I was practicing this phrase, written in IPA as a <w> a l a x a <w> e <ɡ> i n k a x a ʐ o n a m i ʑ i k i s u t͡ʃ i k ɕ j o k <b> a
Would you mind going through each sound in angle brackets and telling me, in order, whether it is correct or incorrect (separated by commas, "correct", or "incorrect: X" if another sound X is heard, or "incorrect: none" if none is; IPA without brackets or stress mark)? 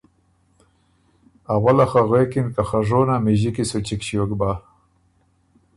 correct, incorrect: ɣ, incorrect: k, correct